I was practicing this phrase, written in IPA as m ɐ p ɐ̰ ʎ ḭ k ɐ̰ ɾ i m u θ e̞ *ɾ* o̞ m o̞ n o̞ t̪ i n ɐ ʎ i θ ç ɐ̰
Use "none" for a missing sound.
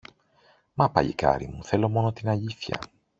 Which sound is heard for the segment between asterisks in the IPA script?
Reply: l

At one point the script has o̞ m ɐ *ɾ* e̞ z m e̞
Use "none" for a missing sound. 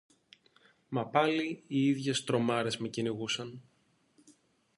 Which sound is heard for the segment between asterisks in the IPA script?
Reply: ɾ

